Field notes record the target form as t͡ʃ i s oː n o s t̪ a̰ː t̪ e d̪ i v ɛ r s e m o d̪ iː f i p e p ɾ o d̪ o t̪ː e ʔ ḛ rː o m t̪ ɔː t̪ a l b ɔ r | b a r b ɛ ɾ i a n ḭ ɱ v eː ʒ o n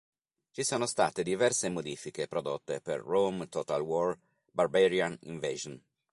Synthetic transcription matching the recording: t͡ʃ i s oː n o s t̪ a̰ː t̪ e d̪ i v ɛ r s e m o d̪ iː f i k e p ɾ o d̪ o t̪ː e p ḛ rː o m t̪ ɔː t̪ a l w ɔ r | b a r b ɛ ɾ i a n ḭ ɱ v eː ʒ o n